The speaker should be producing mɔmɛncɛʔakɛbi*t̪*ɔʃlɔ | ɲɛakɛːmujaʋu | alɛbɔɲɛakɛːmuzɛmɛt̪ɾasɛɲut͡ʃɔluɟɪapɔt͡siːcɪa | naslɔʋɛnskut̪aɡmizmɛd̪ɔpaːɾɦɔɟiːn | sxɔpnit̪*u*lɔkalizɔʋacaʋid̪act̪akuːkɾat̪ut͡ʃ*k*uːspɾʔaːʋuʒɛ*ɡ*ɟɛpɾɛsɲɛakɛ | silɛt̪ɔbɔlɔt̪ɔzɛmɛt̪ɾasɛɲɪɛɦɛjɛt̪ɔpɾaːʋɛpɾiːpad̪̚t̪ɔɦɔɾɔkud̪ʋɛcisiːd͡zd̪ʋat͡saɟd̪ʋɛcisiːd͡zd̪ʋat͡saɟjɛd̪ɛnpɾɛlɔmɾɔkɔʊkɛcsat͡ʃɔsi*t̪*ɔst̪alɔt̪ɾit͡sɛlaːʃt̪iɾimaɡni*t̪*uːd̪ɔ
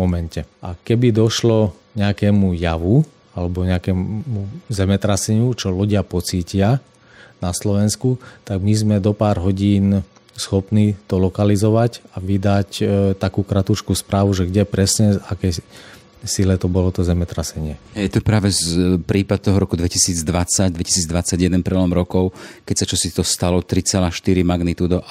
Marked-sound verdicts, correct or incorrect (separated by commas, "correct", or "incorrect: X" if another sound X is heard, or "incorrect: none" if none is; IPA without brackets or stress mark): incorrect: d̪, incorrect: ɔ, correct, correct, correct, correct